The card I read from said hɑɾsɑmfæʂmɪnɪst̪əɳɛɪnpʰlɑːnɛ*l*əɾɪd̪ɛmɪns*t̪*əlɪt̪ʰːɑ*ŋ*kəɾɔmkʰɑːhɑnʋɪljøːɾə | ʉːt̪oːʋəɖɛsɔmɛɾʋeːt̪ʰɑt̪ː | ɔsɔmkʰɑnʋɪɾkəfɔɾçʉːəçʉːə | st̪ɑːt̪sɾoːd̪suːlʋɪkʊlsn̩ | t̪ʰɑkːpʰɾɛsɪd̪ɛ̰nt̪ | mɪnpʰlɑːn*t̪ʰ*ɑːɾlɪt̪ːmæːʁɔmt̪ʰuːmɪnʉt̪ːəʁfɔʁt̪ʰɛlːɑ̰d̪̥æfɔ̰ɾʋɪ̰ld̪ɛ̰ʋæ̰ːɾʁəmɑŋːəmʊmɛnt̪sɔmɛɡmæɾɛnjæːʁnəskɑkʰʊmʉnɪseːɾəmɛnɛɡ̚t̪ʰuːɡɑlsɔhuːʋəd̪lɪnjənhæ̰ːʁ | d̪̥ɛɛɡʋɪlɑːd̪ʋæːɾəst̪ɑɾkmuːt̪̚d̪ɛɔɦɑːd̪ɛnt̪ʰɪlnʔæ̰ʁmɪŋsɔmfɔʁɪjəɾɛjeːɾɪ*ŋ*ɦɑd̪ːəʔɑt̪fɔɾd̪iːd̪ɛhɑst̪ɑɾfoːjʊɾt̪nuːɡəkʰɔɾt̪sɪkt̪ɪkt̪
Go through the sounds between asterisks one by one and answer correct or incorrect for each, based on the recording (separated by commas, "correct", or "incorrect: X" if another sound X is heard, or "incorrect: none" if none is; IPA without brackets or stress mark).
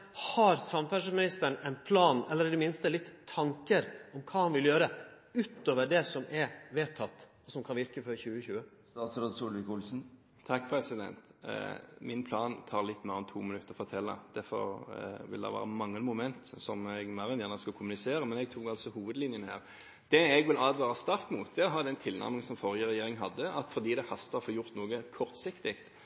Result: incorrect: lː, correct, correct, correct, correct